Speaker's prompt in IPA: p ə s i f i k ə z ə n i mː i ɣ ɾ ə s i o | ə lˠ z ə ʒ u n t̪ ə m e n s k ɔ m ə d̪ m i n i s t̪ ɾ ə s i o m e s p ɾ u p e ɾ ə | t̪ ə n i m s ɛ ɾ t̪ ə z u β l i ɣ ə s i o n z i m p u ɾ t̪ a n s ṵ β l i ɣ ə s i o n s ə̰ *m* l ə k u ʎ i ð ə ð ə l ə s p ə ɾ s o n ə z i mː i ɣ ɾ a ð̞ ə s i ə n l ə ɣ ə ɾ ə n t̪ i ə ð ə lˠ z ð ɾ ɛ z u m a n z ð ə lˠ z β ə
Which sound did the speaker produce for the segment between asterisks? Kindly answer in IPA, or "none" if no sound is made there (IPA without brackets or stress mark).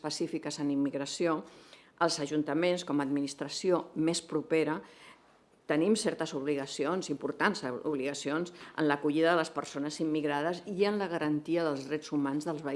n